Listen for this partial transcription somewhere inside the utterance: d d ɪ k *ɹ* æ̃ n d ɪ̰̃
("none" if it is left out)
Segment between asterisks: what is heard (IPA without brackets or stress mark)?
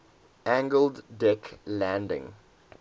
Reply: l